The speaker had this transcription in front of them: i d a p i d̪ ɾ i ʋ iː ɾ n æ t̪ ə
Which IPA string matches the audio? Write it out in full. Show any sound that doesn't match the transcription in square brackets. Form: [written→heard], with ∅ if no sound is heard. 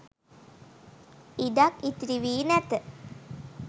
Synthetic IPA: i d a [p→k] i [d̪→t̪] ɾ i ʋ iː [ɾ→∅] n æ t̪ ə